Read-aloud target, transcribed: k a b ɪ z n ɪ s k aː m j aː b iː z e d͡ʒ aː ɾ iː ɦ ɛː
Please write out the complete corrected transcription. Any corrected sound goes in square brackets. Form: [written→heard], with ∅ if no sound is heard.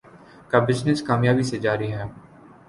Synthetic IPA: k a b ɪ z n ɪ s k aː m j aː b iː [z→s] e d͡ʒ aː ɾ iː ɦ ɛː